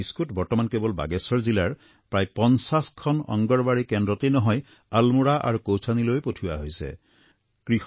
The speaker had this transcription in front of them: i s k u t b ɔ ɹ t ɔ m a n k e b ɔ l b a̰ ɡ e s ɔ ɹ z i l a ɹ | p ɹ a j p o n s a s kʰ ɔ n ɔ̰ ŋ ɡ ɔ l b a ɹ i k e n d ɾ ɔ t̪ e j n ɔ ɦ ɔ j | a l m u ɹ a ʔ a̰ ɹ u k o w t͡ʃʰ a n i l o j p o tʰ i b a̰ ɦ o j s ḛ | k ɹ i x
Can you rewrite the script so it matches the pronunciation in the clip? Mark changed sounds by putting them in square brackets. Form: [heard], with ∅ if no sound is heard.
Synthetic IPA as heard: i s k u t b ɔ ɹ t ɔ m a n k e b ɔ l b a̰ ɡ e s ɔ ɹ z i l a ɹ | p ɹ a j p [ɔ] n s a s kʰ ɔ n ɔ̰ ŋ ɡ ɔ [ɹ] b a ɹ i k e n d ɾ ɔ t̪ e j n ɔ ɦ ɔ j | a l m u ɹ a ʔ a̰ ɹ u k o w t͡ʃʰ a n i l o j p o tʰ i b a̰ ɦ o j s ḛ | k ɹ i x